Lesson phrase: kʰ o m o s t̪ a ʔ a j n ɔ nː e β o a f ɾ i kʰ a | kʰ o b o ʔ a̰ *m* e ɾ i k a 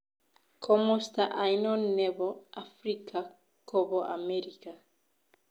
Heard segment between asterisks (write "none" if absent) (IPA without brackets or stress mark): m